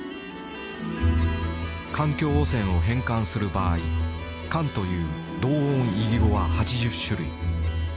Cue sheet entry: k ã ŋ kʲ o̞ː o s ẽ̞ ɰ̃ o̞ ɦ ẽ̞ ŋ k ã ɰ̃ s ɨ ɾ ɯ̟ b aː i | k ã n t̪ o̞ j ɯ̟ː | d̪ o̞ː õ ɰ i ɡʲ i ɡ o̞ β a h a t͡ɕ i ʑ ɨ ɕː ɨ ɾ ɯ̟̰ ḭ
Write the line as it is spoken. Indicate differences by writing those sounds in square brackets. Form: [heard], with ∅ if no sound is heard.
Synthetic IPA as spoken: k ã ŋ kʲ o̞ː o s ẽ̞ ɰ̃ o̞ ɦ ẽ̞ ŋ k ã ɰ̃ s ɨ ɾ ɯ̟ b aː i | k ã n t̪ o̞ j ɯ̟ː | d̪ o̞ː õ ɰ i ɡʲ i ɡ o̞ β a h a t͡ɕ i ʑ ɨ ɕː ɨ ɾ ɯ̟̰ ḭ